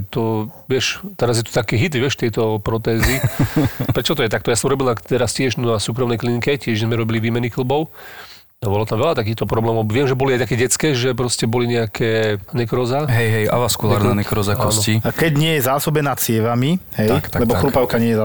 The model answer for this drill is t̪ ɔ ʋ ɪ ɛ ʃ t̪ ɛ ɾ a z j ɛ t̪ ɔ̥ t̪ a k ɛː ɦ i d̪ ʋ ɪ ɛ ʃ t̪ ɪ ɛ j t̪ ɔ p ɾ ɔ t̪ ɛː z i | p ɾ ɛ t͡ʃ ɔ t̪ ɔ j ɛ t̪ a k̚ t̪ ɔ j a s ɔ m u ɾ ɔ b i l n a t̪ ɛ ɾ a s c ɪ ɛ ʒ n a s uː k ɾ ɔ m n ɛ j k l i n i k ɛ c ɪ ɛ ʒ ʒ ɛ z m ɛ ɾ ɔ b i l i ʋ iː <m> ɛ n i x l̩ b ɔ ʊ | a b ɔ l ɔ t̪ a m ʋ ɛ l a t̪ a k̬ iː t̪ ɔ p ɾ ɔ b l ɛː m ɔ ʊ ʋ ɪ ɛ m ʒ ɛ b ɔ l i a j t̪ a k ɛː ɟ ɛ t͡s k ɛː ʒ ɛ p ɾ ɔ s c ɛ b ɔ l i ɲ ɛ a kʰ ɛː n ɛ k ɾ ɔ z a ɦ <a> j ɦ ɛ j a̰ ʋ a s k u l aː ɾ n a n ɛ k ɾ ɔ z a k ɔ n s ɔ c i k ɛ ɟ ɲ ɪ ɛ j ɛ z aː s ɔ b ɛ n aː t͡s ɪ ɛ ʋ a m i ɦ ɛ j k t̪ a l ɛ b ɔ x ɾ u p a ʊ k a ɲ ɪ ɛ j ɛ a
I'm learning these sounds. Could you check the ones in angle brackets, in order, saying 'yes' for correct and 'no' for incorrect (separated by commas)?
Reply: yes, no